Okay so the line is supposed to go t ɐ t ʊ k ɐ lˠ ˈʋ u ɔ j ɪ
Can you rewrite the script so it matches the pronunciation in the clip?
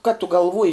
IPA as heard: k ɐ t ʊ ɡ ɐ lˠ ˈʋ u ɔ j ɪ